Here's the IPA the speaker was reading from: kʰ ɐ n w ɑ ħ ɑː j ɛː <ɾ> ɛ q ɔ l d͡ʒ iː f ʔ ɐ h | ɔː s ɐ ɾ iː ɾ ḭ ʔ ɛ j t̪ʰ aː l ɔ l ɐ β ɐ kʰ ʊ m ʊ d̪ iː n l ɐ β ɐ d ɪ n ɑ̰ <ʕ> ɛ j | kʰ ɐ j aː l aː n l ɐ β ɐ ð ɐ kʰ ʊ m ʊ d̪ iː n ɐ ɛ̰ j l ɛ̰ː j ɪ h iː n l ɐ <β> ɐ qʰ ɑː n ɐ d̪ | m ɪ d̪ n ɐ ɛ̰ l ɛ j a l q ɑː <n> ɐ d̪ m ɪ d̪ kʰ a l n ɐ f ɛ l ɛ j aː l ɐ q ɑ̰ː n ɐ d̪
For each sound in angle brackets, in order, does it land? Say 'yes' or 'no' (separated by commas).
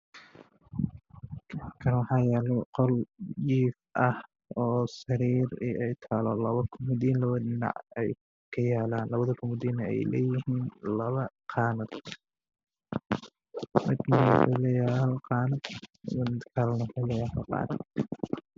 no, yes, yes, yes